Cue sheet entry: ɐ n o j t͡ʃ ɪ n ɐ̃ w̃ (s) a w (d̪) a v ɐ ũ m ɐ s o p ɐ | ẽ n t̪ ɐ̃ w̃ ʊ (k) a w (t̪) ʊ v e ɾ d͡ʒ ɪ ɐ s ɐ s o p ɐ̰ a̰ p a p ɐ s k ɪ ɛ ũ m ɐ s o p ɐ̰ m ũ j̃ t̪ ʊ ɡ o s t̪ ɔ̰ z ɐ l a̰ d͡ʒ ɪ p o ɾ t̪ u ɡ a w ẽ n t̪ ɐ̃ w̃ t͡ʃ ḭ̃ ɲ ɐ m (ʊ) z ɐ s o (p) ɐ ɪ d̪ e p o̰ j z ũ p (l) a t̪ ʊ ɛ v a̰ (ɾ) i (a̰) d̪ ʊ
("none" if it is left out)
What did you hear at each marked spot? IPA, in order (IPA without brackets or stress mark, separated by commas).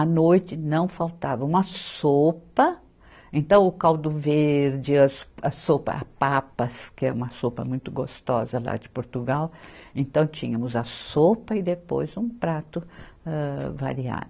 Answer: f, t̪, k, d̪, ʊ, p, ɾ, ɾ, a̰